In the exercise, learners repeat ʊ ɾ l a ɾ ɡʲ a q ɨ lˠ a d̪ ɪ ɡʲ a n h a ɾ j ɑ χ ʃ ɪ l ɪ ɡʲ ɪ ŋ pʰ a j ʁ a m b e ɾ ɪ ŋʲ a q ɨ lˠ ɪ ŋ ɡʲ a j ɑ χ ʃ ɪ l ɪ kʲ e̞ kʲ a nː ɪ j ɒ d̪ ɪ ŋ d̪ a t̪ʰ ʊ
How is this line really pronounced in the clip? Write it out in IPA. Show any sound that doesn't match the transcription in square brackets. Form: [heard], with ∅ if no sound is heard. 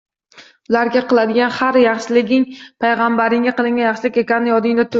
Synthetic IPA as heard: ʊ [∅] l a ɾ ɡʲ a q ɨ lˠ a d̪ ɪ ɡʲ a n h a ɾ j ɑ χ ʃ ɪ l ɪ ɡʲ ɪ ŋ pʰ a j ʁ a m b [a] ɾ ɪ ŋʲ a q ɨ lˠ ɪ ŋ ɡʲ a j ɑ χ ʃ ɪ l ɪ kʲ e̞ kʲ a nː ɪ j ɒ d̪ ɪ ŋ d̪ a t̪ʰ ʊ